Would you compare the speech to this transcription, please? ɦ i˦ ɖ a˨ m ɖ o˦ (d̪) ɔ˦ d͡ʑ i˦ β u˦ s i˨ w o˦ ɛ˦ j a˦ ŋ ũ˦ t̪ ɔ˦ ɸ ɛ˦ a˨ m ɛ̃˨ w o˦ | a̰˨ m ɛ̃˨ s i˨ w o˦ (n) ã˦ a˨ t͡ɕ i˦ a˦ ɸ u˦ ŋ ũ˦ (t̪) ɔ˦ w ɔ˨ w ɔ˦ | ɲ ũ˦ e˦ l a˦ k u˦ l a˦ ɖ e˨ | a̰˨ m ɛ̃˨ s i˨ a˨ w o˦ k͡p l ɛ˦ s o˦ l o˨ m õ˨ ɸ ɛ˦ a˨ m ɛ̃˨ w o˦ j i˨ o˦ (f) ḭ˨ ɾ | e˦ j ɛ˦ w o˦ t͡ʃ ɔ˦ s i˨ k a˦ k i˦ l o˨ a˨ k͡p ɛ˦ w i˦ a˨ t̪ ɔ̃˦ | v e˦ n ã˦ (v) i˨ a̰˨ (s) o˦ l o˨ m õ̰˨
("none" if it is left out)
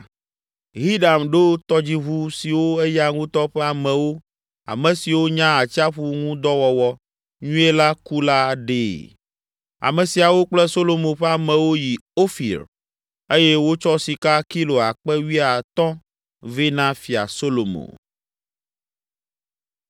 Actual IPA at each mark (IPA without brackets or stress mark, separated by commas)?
t̪, ɲ, d̪, f, f, s